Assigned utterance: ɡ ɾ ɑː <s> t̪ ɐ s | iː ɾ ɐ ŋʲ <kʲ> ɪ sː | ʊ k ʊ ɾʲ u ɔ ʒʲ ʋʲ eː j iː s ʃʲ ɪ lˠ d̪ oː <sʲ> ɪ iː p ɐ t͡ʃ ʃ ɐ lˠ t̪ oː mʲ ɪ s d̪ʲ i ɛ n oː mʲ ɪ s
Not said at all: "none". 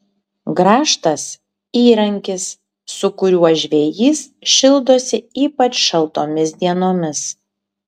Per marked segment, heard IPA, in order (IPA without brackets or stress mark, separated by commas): ʃ, kʲ, sʲ